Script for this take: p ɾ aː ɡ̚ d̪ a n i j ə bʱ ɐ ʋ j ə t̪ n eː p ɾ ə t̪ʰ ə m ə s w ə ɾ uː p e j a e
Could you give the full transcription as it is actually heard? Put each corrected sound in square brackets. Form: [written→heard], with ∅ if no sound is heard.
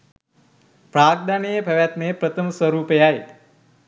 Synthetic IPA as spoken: p ɾ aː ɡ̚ d̪ a n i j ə bʱ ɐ ʋ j [ə→a] t̪ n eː p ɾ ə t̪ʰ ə m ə s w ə ɾ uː p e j a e